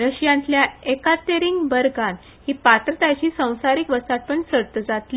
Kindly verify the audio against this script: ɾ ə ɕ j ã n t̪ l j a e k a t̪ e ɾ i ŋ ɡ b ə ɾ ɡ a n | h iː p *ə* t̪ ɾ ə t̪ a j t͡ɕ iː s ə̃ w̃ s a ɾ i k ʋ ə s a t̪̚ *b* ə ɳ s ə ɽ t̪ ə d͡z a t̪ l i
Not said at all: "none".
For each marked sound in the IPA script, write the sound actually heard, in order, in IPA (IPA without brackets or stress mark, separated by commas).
a, p